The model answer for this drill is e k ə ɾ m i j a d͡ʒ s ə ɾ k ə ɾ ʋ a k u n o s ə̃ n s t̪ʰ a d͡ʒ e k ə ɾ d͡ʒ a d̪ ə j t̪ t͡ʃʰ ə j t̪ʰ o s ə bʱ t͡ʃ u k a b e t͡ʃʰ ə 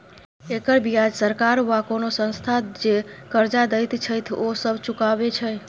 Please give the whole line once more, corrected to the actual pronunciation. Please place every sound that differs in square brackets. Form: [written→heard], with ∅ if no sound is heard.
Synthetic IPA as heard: e k ə ɾ [m→b] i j a d͡ʒ s ə ɾ k [ə→a] ɾ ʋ a k [u→o] n o s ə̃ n s t̪ʰ a d͡ʒ e k ə ɾ d͡ʒ a d̪ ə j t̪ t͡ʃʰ ə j t̪ʰ o s ə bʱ t͡ʃ u k a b e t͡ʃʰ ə